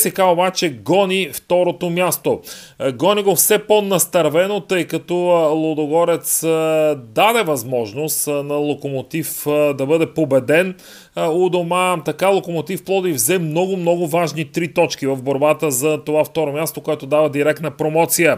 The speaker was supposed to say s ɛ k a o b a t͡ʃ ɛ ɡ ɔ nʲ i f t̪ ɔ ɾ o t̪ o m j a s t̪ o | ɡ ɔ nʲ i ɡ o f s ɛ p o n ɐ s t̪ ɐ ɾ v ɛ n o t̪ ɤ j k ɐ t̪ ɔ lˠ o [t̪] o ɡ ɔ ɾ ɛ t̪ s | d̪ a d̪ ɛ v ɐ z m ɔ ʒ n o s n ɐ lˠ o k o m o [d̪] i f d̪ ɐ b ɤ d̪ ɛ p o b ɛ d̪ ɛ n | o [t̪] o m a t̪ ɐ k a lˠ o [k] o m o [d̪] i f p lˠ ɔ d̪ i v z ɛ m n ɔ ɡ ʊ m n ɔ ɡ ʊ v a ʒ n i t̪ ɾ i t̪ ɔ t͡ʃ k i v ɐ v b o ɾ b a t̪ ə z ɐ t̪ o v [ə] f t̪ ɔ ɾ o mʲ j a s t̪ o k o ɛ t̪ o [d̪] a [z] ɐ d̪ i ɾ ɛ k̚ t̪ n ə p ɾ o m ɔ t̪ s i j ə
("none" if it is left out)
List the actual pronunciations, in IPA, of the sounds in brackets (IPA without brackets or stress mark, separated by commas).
d̪, t̪, d̪, k, t̪, a, d̪, v